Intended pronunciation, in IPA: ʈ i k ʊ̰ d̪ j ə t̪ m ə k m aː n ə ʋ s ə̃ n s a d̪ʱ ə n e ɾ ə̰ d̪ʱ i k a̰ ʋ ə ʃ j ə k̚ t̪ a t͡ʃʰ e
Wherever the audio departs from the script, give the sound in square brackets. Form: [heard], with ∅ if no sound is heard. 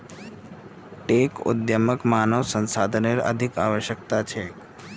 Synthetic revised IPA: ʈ [e] k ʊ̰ d̪ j ə [∅] m ə k m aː n ə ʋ s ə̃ n s a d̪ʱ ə n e ɾ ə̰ d̪ʱ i k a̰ ʋ ə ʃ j ə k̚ t̪ a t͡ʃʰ e